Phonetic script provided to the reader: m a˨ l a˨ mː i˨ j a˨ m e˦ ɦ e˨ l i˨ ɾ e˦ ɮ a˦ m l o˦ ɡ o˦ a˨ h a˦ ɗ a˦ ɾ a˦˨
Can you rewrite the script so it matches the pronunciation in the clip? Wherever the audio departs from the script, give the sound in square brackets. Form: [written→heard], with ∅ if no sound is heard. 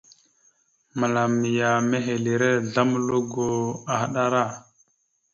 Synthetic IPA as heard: m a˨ l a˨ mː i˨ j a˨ m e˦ ɦ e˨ l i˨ ɾ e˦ ɮ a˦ m l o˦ ɡ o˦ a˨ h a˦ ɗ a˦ ɾ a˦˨